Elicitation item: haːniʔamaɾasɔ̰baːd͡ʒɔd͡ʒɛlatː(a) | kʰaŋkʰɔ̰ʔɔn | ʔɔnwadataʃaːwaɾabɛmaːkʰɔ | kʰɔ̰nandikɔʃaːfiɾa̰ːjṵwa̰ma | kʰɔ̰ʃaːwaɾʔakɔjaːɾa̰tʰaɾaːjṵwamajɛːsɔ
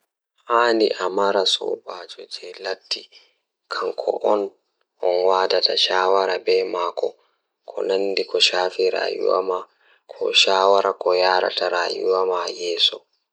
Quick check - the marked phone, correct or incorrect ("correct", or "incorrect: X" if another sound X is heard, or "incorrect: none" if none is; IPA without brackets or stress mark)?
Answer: incorrect: i